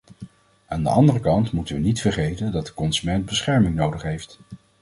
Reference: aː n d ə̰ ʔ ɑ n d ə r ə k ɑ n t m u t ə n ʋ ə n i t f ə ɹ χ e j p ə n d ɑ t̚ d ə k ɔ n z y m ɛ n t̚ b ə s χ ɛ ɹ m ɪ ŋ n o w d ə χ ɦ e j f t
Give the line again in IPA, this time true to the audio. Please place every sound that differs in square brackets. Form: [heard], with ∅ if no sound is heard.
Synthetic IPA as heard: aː n d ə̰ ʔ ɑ n d ə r ə k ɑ n t m u t ə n ʋ ə n i t f ə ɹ χ e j [t] ə n d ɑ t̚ d ə k ɔ n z y m ɛ n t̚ b ə s χ ɛ ɹ m ɪ ŋ n o w d ə χ ɦ e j f t